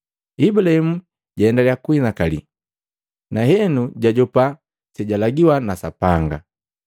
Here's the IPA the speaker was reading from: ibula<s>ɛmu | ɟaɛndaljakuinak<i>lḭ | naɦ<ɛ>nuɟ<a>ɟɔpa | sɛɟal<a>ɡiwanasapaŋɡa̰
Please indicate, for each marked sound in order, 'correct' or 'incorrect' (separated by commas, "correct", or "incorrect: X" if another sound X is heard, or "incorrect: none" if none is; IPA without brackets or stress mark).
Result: incorrect: h, incorrect: a, correct, correct, correct